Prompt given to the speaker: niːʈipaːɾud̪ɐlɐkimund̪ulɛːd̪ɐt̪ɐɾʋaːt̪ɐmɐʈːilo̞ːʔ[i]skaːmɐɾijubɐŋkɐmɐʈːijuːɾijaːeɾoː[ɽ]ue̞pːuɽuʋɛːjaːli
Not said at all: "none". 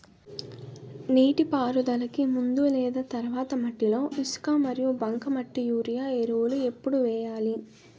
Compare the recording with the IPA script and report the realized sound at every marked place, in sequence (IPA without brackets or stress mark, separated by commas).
i, l